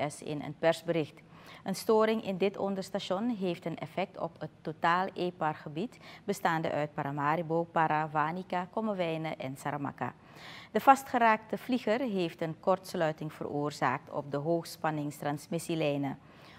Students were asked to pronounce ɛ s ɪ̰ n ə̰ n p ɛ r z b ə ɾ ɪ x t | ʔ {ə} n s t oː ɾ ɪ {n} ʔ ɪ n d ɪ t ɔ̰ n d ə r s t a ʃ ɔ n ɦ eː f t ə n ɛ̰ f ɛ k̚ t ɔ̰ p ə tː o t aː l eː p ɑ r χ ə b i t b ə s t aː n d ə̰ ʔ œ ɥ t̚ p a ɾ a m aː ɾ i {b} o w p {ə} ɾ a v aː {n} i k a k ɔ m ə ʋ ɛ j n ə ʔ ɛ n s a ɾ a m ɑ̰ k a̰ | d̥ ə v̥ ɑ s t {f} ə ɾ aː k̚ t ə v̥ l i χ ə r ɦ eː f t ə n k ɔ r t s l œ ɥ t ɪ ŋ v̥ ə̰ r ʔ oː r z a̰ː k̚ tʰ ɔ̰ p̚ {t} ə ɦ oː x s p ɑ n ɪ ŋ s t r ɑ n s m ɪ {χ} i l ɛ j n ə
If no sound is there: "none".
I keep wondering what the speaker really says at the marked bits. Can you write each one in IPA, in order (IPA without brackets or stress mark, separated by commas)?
ə, ŋ, b, a, n, χ, d, s